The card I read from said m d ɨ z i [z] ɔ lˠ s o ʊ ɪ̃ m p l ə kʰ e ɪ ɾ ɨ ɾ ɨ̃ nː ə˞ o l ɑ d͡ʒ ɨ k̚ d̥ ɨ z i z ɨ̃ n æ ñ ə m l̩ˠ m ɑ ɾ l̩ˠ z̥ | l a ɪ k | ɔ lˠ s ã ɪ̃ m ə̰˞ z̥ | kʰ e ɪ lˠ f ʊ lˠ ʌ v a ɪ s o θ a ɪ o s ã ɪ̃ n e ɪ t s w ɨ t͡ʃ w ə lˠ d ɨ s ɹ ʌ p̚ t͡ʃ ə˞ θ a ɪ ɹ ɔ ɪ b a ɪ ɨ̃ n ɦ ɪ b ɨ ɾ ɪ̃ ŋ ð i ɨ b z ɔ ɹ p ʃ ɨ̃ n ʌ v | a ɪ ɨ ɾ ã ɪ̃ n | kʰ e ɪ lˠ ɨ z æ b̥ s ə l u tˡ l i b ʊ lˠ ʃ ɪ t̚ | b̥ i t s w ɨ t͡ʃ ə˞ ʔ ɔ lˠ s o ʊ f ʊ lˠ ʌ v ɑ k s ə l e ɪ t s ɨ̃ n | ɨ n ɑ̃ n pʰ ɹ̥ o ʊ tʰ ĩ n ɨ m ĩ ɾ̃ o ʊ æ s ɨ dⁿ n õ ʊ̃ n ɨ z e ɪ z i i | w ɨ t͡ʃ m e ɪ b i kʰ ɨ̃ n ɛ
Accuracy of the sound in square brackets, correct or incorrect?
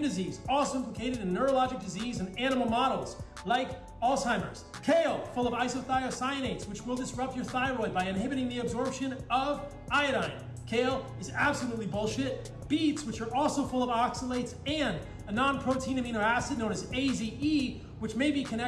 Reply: correct